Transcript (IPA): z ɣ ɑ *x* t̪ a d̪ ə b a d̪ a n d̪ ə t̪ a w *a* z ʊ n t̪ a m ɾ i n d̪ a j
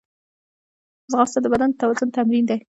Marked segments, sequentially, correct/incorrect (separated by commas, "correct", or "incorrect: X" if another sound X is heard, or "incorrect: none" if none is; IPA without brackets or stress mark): incorrect: s, correct